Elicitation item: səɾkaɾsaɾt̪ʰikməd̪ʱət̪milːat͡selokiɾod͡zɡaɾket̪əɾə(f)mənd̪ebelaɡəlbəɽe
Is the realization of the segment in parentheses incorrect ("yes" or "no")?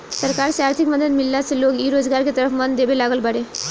no